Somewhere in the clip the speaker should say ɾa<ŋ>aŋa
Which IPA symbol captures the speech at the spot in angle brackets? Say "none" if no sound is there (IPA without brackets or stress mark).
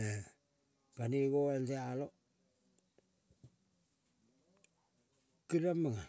m